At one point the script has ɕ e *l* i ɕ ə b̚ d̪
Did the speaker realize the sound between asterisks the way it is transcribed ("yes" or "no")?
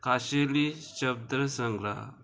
yes